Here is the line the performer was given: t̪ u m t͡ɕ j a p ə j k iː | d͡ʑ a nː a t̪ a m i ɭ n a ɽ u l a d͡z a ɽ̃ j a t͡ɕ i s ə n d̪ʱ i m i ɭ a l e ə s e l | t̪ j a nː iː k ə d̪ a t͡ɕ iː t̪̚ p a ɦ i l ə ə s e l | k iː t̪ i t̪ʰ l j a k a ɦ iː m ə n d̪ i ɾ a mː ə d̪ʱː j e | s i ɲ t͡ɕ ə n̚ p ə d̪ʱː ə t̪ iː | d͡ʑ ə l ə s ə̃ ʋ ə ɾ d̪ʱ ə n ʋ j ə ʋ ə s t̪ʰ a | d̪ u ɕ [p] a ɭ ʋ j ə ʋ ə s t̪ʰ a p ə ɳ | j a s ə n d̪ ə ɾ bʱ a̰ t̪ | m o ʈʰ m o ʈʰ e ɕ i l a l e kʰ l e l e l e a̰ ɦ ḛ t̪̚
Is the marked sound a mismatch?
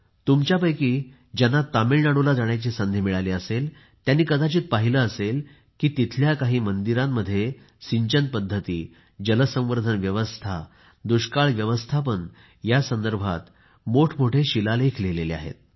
yes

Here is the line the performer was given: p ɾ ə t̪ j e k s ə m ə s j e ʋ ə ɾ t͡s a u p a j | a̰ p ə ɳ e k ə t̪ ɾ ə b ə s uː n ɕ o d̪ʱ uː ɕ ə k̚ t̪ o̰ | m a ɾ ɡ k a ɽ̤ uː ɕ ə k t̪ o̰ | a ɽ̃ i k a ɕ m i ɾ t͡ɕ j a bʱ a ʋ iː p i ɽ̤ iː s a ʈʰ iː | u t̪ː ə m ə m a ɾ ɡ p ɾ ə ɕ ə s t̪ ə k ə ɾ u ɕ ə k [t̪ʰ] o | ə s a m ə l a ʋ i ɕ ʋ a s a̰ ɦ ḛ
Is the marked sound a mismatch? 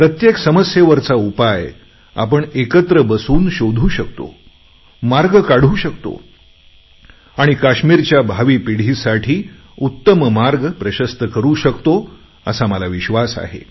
yes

